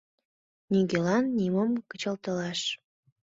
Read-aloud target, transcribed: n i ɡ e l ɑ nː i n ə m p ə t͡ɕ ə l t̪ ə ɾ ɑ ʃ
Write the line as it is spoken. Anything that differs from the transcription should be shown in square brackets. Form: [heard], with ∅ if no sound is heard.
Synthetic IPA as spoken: n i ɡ e l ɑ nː i [m] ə m [k] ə t͡ɕ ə l t̪ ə [l] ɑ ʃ